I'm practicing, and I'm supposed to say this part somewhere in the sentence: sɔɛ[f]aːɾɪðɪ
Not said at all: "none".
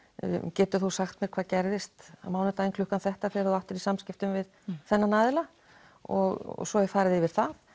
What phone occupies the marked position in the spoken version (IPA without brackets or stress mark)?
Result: f